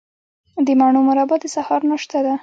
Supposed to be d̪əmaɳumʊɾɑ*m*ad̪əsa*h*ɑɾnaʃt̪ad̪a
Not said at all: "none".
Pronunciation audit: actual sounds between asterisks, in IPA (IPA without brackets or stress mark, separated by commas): b, h